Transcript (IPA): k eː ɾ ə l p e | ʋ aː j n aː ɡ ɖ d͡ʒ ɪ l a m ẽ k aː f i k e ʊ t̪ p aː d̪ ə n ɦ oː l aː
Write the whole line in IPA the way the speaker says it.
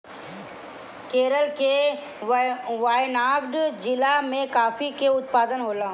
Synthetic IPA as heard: k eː ɾ ə l k e | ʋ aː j n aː ɡ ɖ d͡ʒ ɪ l a m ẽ k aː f i k e ʊ t̪ p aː d̪ ə n ɦ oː l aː